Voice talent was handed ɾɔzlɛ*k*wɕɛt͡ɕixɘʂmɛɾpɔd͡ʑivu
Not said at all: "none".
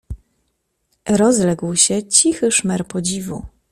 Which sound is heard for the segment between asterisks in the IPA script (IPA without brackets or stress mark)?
ɡ